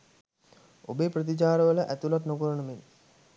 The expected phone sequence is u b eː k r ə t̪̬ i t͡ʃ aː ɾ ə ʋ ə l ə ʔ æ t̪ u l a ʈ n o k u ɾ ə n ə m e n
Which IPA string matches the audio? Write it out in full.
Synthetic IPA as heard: o b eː p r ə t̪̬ i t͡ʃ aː ɾ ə ʋ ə l ə ʔ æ t̪ u l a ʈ n o k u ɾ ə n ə m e n